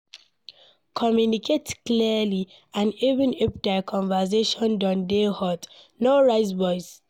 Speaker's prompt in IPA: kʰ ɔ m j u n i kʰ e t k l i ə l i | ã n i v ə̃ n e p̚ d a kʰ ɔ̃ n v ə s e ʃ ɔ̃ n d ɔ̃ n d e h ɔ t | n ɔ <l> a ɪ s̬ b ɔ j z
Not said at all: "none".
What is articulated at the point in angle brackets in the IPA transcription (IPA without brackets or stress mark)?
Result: ɹ